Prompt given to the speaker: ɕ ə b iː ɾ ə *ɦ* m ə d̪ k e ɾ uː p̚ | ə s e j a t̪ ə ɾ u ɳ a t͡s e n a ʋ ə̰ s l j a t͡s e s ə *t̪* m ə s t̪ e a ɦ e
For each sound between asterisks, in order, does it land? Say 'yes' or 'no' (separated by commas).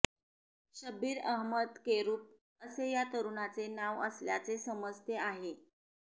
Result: yes, no